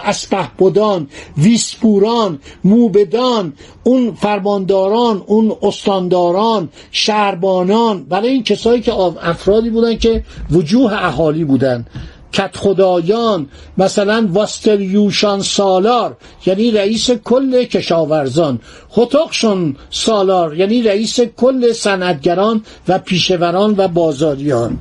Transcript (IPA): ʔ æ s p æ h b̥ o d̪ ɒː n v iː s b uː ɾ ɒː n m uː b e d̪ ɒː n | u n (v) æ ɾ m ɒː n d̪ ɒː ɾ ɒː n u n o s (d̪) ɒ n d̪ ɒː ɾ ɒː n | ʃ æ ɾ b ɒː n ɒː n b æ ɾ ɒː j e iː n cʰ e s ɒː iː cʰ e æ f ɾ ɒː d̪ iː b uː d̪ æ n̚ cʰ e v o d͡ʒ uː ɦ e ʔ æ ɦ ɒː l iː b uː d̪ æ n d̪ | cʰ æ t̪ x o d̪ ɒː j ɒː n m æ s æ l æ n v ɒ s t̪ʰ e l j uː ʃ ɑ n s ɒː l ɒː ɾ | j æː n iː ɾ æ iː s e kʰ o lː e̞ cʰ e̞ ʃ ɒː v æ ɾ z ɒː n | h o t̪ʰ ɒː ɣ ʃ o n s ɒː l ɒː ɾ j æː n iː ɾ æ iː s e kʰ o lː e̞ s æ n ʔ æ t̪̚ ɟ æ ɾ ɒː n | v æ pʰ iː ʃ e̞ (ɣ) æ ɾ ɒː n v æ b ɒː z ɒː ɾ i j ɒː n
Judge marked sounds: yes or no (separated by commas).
no, no, no